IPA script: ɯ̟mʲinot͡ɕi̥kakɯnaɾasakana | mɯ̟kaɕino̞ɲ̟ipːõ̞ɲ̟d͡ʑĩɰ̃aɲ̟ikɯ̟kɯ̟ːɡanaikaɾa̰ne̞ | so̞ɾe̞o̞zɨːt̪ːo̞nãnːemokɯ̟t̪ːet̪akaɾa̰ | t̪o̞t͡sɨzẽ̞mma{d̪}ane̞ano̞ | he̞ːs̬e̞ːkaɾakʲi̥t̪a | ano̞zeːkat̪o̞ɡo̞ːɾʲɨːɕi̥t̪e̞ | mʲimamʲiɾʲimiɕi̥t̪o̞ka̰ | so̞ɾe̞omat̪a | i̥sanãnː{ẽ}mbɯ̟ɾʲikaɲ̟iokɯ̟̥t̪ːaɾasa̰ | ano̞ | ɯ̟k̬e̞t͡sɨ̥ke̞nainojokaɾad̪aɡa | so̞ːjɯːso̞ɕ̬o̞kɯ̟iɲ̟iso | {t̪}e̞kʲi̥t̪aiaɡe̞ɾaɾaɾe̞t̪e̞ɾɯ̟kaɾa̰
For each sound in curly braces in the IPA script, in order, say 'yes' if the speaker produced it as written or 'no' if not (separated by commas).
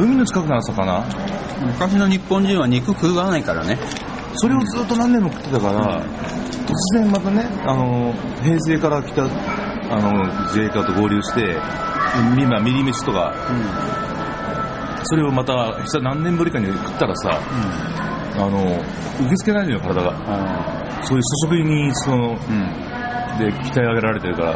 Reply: no, yes, no